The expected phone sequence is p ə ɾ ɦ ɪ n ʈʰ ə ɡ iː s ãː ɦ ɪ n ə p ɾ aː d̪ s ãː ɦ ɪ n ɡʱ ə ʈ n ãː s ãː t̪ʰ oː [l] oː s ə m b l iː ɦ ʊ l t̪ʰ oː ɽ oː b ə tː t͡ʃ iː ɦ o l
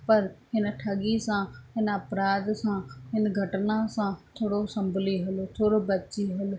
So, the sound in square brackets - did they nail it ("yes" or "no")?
no